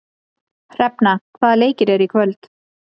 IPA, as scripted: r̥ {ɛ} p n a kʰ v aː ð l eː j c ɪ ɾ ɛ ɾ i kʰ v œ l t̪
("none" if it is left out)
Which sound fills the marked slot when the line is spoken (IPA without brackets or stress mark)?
ɛ